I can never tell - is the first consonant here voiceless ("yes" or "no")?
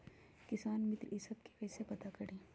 yes